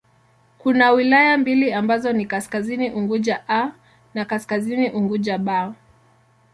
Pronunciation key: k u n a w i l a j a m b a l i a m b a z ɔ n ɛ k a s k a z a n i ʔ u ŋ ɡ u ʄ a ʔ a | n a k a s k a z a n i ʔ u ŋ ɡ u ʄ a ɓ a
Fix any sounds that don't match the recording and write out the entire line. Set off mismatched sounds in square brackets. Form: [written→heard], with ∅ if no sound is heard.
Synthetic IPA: k u n a w i l a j a m b [a→i] l i a m b a z ɔ n [ɛ→i] k a s k a z [a→i] n i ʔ u ŋ ɡ u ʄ a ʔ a | n a k a s k a z [a→i] n i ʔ u ŋ ɡ u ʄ a ɓ a